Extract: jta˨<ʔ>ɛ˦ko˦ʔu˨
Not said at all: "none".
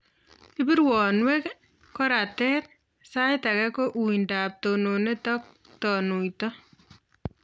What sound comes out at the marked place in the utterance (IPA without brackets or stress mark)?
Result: k